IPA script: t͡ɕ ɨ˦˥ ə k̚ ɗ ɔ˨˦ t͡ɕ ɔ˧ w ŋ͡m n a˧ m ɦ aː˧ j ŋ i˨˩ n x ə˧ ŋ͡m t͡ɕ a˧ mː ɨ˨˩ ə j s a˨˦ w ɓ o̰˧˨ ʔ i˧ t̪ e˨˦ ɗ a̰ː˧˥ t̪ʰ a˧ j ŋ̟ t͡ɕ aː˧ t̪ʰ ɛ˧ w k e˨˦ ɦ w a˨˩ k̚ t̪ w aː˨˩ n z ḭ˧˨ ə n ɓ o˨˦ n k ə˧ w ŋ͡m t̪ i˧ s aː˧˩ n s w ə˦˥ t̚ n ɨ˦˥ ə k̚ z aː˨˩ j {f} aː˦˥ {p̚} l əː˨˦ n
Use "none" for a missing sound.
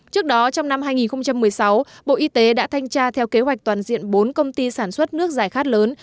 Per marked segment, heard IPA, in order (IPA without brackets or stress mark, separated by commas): x, t̚